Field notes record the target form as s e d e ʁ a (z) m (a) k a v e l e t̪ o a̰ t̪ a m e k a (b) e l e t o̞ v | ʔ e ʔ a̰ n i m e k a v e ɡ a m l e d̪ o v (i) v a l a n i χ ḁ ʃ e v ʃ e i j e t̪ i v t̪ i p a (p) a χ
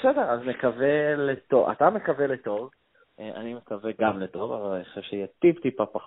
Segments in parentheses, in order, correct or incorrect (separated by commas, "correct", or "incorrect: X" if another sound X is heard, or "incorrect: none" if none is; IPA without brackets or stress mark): correct, incorrect: e, incorrect: v, incorrect: a, correct